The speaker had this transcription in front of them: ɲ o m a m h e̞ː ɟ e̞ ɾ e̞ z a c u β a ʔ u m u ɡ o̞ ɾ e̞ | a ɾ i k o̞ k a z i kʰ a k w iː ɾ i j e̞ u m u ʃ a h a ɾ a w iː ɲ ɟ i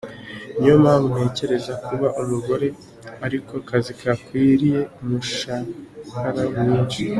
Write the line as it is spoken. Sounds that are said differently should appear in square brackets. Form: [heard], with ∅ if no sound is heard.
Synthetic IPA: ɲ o m a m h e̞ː [c] e̞ ɾ e̞ z a [k] u β a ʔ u m u ɡ o̞ ɾ e̞ | a ɾ i k o̞ k a z i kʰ a k w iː ɾ i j e̞ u m u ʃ a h a ɾ a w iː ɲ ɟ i